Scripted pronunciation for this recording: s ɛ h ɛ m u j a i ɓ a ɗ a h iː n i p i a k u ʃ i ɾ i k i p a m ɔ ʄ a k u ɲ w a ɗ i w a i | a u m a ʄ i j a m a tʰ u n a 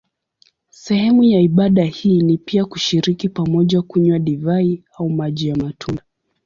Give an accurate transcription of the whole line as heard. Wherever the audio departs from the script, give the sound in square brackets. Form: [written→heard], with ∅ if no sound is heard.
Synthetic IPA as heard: s ɛ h ɛ m u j a i ɓ a ɗ a h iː n i p i a k u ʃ i ɾ i k i p a m ɔ ʄ a k u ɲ w a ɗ i [w→v] a i | a u m a ʄ i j a m a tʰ u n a